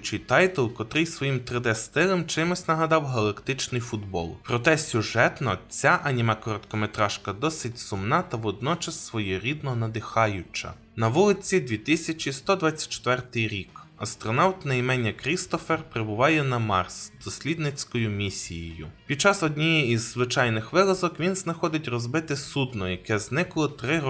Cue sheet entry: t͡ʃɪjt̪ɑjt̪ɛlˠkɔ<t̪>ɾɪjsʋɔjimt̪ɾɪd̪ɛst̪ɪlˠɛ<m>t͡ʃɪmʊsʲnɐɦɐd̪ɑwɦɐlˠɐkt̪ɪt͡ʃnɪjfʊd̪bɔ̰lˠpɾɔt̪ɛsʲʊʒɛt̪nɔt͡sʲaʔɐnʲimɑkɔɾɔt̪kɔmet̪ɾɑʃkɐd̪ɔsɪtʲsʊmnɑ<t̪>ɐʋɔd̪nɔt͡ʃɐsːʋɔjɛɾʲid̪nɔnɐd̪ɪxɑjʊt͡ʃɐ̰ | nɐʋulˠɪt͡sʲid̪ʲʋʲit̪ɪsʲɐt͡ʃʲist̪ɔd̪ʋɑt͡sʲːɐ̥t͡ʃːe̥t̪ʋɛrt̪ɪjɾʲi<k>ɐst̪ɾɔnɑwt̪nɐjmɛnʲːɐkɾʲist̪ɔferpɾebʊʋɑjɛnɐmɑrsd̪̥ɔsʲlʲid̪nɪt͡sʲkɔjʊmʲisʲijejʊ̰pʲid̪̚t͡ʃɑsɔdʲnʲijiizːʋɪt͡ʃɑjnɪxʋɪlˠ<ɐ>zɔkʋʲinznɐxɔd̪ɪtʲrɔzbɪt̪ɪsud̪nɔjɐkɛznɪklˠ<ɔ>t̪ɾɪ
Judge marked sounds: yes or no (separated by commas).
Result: yes, yes, yes, yes, yes, yes